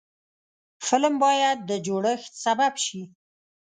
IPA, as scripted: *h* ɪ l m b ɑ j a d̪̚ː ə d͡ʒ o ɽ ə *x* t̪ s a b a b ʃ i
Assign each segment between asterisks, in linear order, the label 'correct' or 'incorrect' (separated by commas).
incorrect, correct